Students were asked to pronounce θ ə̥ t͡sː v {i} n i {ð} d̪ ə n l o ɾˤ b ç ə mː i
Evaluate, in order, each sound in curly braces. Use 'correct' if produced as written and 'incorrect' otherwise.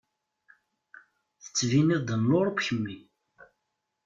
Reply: correct, correct

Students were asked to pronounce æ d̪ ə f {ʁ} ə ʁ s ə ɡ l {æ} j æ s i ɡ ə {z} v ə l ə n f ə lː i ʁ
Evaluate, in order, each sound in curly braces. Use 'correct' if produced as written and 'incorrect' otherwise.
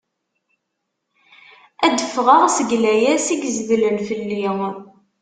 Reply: correct, correct, correct

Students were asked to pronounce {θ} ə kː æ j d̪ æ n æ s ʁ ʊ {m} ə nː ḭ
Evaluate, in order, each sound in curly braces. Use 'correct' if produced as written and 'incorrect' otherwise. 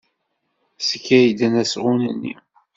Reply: incorrect, incorrect

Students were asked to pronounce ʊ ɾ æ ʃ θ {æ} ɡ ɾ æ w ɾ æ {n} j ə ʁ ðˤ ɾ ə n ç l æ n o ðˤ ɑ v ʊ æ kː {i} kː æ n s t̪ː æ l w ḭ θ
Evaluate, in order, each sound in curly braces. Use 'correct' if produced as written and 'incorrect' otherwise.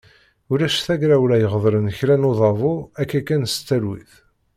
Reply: correct, incorrect, incorrect

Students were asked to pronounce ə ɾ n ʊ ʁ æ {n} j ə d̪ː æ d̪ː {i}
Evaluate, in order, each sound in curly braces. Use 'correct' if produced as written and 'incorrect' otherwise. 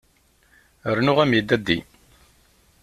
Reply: incorrect, correct

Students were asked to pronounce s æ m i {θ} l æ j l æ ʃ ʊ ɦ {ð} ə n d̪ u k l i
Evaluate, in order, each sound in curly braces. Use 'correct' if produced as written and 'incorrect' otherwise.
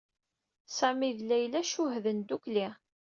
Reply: incorrect, correct

